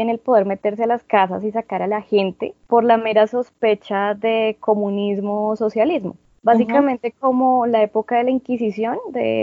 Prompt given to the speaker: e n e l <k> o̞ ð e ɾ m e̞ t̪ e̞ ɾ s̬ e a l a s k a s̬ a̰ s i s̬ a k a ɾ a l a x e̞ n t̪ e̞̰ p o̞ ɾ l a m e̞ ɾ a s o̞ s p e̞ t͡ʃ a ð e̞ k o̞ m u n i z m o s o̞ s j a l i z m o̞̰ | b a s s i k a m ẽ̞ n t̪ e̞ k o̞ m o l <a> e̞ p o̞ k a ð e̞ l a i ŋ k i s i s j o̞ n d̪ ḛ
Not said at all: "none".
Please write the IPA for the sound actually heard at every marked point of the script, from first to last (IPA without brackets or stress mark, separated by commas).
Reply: p, a